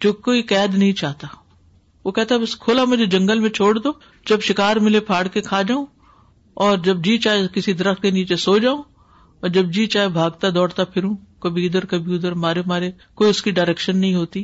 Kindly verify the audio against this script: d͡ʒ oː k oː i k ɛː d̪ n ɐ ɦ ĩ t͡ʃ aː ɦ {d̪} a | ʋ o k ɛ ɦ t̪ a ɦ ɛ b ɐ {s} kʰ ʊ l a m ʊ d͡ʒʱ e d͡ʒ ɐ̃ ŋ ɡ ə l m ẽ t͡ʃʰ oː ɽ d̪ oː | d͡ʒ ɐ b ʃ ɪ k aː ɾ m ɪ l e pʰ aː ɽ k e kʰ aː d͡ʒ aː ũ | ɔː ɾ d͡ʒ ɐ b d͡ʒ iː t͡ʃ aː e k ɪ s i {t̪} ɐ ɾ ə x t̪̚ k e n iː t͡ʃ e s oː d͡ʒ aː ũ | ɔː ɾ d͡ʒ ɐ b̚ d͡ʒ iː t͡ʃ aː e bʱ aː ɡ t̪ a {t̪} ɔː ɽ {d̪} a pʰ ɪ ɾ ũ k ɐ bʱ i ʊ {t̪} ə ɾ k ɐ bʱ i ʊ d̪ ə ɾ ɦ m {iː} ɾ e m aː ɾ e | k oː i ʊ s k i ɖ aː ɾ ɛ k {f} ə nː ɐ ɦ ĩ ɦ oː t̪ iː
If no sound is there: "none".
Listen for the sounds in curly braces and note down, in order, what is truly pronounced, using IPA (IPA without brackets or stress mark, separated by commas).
t̪, s, d̪, d̪, t̪, d̪, aː, ʃ